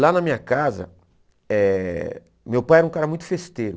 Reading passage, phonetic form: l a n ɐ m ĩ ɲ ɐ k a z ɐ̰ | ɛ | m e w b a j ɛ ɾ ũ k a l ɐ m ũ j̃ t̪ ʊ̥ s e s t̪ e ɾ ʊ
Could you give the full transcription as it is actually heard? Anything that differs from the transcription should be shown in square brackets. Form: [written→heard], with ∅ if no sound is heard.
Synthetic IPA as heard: l a n ɐ m ĩ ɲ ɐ k a z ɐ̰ | ɛ | m e w [b→p] a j ɛ ɾ ũ k a [l→ɾ] ɐ m ũ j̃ t̪ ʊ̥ [s→f] e s t̪ e ɾ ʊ